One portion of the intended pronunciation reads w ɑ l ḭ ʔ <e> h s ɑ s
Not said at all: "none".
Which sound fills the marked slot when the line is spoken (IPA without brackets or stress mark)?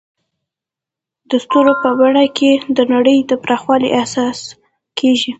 a